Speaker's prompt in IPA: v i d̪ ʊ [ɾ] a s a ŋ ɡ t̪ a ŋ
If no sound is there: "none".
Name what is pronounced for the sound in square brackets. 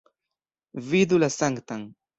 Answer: l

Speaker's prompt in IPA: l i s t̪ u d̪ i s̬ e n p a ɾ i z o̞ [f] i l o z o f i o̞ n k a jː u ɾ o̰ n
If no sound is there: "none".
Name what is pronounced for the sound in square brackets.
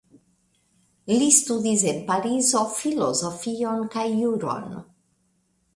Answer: f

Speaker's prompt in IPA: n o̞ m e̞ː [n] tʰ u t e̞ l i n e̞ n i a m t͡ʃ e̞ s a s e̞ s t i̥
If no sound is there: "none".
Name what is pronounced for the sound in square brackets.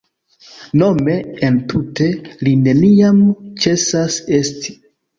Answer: n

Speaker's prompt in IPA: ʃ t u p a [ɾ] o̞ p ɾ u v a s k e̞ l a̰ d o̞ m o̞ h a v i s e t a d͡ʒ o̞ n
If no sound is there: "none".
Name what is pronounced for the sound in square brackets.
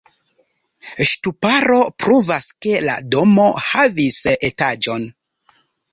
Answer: ɾ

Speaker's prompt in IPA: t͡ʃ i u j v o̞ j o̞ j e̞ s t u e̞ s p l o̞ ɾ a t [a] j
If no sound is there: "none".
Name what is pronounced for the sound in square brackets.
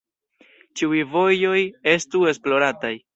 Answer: a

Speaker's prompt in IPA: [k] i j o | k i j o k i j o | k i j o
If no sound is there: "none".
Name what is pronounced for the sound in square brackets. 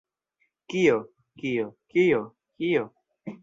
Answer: k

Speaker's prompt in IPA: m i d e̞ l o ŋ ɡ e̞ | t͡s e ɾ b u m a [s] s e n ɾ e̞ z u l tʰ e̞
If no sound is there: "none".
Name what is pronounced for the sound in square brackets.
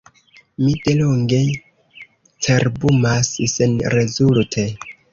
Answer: s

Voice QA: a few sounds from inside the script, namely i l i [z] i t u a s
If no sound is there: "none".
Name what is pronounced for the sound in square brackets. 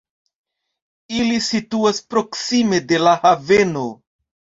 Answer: s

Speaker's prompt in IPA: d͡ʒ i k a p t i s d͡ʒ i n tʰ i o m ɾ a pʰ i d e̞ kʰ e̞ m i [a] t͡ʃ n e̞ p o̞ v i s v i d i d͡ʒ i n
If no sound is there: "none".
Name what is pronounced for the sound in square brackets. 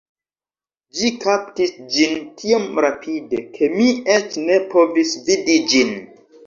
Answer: e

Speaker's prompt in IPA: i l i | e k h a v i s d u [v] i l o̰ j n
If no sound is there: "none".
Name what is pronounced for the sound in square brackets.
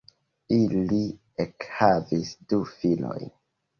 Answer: f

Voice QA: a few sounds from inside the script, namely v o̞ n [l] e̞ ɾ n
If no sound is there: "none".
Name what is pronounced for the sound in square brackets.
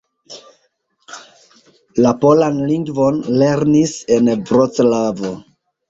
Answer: l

